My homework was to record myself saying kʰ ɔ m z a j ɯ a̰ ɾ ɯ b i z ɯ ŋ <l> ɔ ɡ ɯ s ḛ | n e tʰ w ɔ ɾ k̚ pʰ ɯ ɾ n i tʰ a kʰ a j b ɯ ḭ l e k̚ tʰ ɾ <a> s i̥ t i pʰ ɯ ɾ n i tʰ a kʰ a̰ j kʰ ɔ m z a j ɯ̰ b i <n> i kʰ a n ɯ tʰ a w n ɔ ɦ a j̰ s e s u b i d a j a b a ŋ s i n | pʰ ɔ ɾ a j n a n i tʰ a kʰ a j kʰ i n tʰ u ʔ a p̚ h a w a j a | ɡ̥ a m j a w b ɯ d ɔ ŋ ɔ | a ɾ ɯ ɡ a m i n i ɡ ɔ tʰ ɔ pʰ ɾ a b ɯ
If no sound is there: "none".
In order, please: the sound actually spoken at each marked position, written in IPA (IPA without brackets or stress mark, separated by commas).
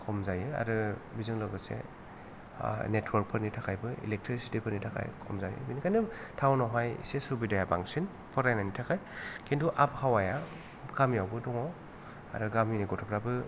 l, i, n